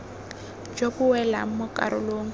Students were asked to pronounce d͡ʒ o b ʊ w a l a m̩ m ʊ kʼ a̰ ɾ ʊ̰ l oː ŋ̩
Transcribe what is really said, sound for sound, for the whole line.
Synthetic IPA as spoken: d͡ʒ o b ʊ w ɛ l a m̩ m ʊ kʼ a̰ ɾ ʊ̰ l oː ŋ̩